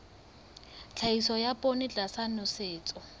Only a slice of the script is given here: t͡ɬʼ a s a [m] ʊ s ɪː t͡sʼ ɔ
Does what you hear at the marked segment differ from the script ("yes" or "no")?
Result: yes